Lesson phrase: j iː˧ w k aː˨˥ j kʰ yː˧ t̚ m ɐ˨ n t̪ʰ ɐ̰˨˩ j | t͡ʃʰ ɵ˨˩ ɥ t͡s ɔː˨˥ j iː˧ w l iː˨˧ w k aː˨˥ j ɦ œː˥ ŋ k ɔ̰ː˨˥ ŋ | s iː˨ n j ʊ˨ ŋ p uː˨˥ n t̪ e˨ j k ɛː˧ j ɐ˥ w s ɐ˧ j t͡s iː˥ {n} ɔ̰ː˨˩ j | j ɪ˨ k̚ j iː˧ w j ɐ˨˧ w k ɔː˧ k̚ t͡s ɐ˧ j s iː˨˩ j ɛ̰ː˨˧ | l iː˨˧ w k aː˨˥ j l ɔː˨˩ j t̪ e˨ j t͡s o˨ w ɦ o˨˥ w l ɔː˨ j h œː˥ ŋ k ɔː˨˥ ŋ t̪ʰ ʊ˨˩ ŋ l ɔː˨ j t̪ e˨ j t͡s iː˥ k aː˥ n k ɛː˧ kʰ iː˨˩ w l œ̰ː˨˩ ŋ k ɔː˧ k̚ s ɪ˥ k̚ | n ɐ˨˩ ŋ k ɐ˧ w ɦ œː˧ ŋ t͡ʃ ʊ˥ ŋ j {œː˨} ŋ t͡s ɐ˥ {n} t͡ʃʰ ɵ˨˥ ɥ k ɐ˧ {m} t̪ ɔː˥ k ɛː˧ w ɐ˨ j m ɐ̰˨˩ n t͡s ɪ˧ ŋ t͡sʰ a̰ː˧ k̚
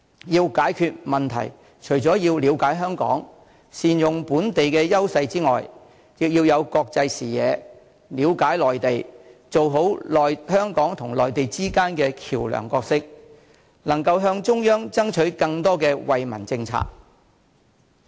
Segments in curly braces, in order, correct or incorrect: incorrect: ŋ, incorrect: œː˥, incorrect: ŋ, incorrect: ŋ

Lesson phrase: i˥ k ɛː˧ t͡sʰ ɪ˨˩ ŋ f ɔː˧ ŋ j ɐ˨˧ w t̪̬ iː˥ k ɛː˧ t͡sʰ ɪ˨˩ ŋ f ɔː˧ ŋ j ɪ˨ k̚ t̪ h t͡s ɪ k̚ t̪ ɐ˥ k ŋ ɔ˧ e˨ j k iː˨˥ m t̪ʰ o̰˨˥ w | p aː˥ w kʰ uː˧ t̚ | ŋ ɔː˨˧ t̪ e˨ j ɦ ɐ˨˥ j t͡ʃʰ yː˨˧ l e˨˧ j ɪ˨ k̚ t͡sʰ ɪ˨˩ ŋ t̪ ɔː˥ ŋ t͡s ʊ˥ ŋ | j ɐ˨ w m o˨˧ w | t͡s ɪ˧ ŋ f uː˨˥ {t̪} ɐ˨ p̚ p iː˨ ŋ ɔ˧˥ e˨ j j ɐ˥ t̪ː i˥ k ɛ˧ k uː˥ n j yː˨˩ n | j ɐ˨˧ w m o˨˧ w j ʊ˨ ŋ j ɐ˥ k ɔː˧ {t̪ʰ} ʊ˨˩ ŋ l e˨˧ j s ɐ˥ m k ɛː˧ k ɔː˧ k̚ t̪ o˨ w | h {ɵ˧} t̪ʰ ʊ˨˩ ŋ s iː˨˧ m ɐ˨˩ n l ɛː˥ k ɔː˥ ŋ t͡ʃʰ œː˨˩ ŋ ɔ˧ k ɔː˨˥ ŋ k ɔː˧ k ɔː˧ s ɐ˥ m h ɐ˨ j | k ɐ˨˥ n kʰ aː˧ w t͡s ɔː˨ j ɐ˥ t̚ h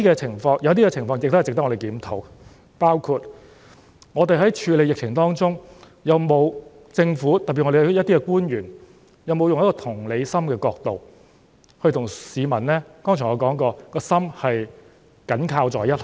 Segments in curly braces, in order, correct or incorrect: correct, correct, correct

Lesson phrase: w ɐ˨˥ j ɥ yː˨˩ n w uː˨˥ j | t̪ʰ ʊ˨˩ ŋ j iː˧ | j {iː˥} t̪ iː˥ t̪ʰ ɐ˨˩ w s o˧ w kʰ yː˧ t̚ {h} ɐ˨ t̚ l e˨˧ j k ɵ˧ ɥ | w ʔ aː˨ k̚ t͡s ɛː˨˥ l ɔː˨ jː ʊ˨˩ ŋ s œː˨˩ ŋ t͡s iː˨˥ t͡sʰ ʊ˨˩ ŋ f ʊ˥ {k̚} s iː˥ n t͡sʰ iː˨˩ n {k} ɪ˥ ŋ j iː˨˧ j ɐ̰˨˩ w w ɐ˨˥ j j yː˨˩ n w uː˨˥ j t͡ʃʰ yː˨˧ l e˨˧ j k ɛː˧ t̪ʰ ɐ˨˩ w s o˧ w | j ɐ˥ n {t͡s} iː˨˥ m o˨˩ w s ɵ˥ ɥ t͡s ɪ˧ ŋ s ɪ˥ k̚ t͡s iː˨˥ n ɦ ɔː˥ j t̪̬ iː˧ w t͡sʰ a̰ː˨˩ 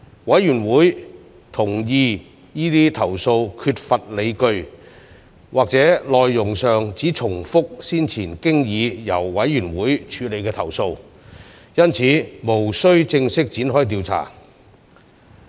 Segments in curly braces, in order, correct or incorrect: correct, incorrect: f, correct, correct, incorrect: t͡sʰ

